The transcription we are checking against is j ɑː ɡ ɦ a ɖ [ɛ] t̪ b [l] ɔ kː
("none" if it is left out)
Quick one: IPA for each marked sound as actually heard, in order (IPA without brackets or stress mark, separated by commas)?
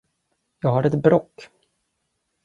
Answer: ɛ, ɾ